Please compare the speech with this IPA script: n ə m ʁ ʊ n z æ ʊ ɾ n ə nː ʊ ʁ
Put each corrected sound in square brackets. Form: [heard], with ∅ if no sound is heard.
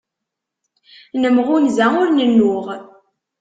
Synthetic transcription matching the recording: n ə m ʁ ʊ n z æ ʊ ɾ n ə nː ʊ ʁ